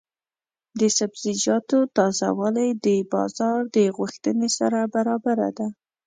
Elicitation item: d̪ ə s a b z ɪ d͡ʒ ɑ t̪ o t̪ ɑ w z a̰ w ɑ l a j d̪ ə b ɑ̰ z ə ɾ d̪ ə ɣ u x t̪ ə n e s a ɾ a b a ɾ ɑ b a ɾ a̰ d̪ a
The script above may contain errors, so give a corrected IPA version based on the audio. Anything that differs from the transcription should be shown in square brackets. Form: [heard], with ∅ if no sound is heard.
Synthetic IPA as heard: d̪ ə s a b z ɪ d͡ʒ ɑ t̪ o t̪ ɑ [∅] z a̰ w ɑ l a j d̪ ə b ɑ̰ z [ɑ] ɾ d̪ ə ɣ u x t̪ ə n e s a ɾ a b a ɾ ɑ b a ɾ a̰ d̪ a

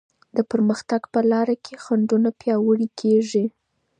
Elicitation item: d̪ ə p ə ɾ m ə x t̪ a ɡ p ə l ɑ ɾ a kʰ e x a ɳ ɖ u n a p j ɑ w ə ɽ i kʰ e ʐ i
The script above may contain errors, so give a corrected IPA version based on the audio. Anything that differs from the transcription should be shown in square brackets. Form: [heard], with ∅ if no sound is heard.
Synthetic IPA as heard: d̪ ə p ə ɾ m ə x t̪ a ɡ p ə l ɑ ɾ a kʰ e x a ɳ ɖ u n a p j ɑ w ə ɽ i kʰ e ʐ i

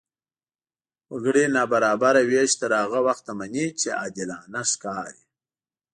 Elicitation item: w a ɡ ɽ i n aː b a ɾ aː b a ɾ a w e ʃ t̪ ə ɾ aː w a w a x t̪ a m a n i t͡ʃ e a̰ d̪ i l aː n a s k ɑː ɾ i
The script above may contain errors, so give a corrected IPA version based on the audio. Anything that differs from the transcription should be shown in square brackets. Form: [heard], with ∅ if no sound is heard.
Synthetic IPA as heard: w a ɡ ɽ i n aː b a ɾ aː b a ɾ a w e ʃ t̪ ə ɾ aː [ɣ] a w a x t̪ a m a n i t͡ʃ e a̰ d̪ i l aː n a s k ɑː ɾ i

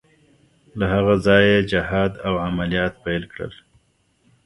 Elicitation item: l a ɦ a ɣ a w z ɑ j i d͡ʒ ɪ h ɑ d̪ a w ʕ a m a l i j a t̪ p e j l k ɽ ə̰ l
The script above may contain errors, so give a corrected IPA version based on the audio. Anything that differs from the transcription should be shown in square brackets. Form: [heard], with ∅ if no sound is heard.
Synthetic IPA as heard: l a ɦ a ɣ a [∅] z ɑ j [e] d͡ʒ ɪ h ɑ d̪ a w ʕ a m a l i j [ɑ] t̪ p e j l k ɽ ə̰ l

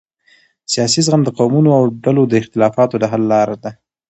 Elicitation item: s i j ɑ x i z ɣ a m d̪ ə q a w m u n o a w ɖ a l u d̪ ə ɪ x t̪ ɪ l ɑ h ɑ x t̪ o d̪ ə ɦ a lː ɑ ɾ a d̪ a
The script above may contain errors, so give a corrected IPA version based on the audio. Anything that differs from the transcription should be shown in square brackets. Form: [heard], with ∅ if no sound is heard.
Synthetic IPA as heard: s i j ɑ [s] i z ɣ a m d̪ ə q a w m u n o a w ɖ a l [o] d̪ ə ɪ x t̪ ɪ l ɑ [f] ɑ [∅] t̪ o d̪ ə ɦ a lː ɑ ɾ a d̪ a

